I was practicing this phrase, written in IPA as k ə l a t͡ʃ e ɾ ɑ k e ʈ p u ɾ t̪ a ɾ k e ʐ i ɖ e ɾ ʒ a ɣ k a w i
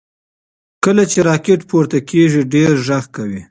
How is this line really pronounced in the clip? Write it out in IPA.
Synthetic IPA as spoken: k ə l a t͡ʃ e ɾ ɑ k e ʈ p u ɾ t̪ a k e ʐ i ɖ e ɾ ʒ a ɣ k a w i